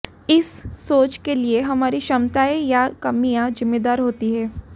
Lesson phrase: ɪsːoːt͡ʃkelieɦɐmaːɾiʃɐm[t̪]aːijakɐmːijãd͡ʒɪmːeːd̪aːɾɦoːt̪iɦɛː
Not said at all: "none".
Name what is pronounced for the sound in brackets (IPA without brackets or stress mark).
t̪